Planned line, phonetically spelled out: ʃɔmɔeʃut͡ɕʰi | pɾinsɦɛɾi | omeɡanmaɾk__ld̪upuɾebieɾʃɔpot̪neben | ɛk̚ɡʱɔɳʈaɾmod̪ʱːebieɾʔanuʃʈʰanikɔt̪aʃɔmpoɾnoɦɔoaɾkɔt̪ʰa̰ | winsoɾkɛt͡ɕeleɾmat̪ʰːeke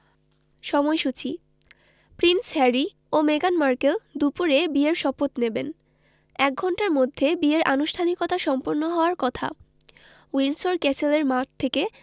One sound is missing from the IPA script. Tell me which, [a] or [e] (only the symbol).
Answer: e